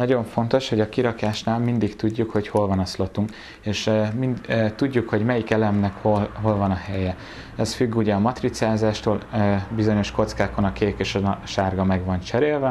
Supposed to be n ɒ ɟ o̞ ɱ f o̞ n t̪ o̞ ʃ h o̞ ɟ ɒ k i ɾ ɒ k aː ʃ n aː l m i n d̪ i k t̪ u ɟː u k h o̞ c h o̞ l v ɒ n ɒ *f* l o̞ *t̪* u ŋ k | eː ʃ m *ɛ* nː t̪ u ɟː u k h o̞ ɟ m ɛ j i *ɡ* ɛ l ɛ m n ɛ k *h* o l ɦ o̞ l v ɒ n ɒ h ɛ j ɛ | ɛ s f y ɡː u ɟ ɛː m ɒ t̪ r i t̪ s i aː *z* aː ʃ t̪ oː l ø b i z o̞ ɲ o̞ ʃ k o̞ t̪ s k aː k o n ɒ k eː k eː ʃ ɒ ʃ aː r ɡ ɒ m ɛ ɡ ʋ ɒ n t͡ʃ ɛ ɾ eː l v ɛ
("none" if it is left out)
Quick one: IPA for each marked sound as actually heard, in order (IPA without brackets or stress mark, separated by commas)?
s, t̪, i, k, h, z